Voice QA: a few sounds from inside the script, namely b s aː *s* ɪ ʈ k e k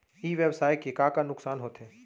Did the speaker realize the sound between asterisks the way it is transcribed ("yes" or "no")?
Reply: no